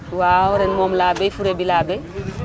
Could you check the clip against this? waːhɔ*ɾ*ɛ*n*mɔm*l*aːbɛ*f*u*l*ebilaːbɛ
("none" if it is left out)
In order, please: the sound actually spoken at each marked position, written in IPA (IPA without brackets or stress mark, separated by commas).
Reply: ɾ, n, l, f, ɾ